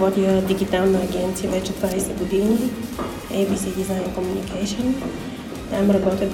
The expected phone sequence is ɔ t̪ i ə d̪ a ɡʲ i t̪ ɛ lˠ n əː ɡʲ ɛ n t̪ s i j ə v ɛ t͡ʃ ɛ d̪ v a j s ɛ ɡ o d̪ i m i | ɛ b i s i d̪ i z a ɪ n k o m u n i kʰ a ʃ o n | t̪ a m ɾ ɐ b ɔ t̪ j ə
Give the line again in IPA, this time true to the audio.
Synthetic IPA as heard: ɔ t̪ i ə d̪ i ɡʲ i t̪ a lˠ n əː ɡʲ ɛ n t̪ s i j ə v ɛ t͡ʃ ɛ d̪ v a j s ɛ ɡ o d̪ i n i | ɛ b i s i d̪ i z a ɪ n k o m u n i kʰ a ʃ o n | t̪ a m ɾ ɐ b ɔ t̪ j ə